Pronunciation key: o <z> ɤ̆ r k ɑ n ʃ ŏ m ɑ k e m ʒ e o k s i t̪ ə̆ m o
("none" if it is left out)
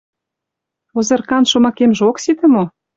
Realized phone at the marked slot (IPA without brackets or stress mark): z